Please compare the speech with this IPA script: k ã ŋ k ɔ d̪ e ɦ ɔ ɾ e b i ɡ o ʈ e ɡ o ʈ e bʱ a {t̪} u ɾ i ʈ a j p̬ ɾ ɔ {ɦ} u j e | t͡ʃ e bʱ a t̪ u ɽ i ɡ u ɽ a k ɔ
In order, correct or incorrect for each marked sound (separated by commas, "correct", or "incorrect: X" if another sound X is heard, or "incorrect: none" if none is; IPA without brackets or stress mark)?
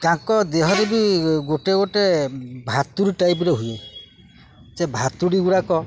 correct, correct